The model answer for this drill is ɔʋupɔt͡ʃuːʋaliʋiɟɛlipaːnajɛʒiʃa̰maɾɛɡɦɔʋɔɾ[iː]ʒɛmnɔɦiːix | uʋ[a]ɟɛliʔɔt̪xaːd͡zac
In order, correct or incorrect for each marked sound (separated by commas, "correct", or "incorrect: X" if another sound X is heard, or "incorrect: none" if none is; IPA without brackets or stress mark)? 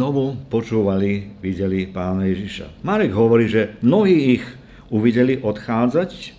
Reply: correct, incorrect: i